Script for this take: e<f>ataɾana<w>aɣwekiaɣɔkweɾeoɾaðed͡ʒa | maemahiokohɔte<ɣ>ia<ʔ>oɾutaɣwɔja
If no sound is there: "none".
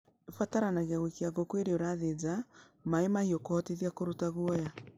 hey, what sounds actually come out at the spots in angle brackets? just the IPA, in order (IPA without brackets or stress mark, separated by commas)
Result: f, ɣ, ð, k